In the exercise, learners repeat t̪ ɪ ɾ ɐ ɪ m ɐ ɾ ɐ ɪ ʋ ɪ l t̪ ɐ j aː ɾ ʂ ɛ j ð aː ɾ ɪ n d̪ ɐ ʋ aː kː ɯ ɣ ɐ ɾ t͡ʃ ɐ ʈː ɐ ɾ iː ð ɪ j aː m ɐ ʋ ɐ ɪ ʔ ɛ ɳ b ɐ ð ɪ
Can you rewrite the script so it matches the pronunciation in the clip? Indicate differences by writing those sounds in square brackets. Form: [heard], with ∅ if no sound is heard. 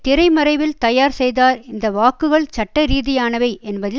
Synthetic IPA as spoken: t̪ ɪ ɾ ɐ ɪ m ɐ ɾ ɐ ɪ ʋ ɪ l t̪ ɐ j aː ɾ [s] ɛ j ð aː ɾ ɪ n d̪ ɐ ʋ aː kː ɯ ɣ ɐ [ɭ] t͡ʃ ɐ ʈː ɐ ɾ iː ð ɪ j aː [n] ɐ ʋ ɐ ɪ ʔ ɛ [n] b ɐ ð ɪ